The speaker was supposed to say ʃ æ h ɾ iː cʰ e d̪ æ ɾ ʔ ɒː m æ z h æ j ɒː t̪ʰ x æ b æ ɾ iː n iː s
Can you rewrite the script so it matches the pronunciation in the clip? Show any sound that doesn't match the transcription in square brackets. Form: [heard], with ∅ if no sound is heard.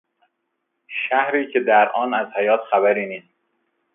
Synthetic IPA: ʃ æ h ɾ iː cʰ e d̪ æ ɾ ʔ ɒː [n] æ z h æ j ɒː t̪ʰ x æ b æ ɾ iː n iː s